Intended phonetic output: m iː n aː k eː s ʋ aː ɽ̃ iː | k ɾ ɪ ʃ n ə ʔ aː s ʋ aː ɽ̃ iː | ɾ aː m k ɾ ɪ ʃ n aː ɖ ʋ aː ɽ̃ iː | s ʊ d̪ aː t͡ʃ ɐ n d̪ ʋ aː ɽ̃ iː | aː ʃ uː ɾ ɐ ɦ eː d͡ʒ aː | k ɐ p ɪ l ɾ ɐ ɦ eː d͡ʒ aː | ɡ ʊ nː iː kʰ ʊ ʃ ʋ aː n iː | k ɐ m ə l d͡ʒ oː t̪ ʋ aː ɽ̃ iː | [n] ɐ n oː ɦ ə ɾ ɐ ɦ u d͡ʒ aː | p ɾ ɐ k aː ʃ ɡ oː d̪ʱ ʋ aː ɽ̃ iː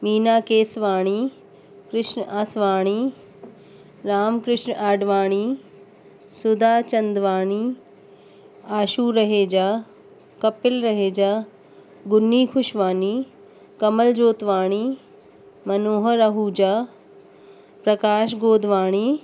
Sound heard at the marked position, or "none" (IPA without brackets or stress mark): m